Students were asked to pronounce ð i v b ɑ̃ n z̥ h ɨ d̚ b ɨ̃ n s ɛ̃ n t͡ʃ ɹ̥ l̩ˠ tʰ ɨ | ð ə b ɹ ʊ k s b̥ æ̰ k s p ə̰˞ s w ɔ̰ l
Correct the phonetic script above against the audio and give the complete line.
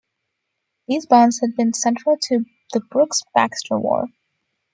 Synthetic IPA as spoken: ð i z b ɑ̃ n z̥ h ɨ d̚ b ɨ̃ n s ɛ̃ n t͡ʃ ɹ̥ l̩ˠ tʰ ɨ | ð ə b ɹ ʊ k s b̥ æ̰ k s t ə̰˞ w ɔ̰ ɹ

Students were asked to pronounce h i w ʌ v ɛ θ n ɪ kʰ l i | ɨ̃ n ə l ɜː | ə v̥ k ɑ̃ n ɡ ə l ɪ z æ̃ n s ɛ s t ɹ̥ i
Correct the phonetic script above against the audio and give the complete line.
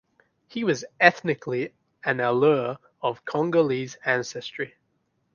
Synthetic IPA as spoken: h i w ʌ z ɛ θ n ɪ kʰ l i | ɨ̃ n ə l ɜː | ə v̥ kʰ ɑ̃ ŋ ɡ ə l i z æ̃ n s ɛ s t ɹ̥ i

